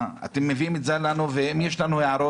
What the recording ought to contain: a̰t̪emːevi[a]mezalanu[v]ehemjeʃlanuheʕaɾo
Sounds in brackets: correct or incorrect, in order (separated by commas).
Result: incorrect, correct